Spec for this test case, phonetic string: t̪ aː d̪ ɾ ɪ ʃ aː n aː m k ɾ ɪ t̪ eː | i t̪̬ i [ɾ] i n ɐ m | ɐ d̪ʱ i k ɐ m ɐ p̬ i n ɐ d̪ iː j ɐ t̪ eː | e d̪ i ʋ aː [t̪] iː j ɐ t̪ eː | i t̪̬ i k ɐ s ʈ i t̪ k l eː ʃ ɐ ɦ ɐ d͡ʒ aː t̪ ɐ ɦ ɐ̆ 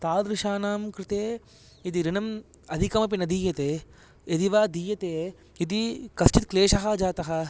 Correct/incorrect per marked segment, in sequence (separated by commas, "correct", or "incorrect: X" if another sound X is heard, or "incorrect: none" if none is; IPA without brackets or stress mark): correct, incorrect: d̪